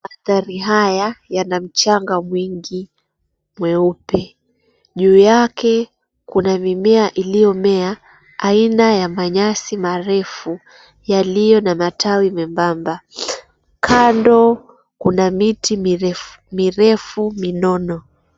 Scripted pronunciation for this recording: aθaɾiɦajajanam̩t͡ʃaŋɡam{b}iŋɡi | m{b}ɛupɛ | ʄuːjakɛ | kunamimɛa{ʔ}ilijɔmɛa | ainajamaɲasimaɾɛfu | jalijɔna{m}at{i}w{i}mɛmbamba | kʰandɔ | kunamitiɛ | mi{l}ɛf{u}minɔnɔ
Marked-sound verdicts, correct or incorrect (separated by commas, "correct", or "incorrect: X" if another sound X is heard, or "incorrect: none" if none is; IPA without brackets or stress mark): incorrect: w, incorrect: w, correct, correct, incorrect: a, correct, incorrect: ɾ, correct